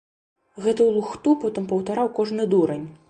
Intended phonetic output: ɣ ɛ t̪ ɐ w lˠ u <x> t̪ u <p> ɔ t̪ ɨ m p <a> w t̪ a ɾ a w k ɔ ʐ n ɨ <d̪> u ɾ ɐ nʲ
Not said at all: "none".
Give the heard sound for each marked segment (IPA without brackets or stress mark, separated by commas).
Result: x, p, ɐ, d̪